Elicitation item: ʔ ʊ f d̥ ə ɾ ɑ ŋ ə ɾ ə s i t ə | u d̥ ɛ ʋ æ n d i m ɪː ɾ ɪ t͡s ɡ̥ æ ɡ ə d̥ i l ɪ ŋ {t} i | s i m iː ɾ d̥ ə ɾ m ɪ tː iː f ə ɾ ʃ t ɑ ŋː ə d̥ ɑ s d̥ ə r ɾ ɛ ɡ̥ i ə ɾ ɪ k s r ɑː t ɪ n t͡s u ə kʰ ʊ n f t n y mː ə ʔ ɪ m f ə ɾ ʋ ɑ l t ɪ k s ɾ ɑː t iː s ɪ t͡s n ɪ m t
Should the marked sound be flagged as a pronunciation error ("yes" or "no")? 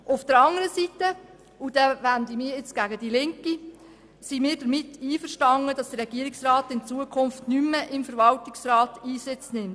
yes